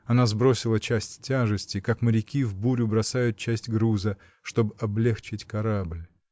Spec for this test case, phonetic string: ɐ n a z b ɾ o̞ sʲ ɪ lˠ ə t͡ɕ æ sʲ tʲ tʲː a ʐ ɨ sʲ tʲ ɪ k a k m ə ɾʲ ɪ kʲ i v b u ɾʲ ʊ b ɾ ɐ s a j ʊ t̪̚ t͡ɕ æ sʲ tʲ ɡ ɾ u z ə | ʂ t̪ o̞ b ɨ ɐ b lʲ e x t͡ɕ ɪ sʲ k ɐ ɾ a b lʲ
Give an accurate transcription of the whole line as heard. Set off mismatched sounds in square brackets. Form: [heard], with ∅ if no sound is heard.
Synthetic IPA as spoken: ɐ n a z b ɾ o̞ sʲ ɪ lˠ ə t͡ɕ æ sʲ tʲ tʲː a ʐ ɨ sʲ tʲ ɪ k a k m ə ɾʲ ɪ kʲ i v b u ɾʲ ʊ b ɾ ɐ s a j ʊ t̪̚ t͡ɕ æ sʲ tʲ ɡ ɾ u z ə | ʂ t̪ o̞ b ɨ ɐ b lʲ e x t͡ɕ ɪ [tʲ] k ɐ ɾ a b lʲ